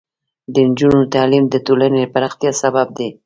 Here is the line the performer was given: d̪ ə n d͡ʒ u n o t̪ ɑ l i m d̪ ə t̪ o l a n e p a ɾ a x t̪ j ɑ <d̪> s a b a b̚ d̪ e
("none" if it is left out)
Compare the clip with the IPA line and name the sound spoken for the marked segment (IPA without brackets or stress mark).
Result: none